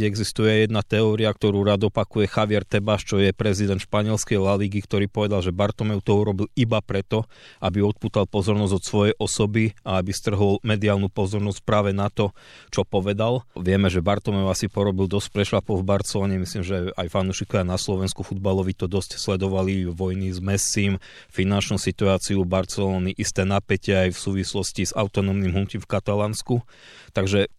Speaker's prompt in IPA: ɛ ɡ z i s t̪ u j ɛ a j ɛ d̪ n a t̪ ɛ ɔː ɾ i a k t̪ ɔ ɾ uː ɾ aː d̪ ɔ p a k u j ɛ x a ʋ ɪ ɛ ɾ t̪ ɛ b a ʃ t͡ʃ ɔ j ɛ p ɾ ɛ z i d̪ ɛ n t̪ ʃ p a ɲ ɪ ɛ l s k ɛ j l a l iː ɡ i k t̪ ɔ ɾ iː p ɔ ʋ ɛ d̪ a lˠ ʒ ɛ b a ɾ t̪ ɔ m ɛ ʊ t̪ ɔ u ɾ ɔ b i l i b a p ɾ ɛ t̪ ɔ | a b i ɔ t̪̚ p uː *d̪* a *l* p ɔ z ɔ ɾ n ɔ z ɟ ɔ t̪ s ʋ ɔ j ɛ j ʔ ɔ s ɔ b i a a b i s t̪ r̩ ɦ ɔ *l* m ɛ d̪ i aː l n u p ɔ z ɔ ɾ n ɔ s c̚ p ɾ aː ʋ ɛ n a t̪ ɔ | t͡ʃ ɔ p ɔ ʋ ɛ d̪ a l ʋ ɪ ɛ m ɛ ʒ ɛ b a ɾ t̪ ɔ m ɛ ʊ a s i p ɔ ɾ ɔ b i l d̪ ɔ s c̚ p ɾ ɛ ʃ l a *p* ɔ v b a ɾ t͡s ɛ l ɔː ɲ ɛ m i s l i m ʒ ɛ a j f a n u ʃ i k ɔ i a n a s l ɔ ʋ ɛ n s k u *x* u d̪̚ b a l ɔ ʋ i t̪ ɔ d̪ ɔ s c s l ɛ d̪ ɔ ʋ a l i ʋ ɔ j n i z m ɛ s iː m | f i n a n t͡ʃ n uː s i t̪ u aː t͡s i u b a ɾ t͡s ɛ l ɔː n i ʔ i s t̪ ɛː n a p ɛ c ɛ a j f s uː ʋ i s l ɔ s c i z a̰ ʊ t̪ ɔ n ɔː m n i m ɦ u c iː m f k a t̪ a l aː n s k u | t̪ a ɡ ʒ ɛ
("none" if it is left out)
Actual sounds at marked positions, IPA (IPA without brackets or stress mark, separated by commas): t̪, l, l, p, f